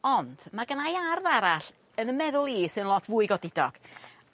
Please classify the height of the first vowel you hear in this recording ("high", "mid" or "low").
mid